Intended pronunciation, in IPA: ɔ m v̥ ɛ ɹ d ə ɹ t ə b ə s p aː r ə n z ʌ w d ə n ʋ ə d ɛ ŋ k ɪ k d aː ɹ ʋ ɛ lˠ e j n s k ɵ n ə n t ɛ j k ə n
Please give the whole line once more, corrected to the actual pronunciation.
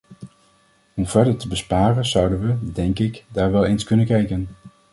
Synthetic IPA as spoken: ɔ m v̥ ɛ ɹ d ə ɹ t ə b ə s p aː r ə n z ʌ w d ə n ʋ ə d ɛ ŋ k ɪ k d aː ɹ ʋ ɛ lˠ e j n s k ɵ n ə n k ɛ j k ə n